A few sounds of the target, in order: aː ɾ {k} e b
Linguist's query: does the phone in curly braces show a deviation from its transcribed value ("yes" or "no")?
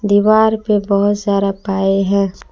yes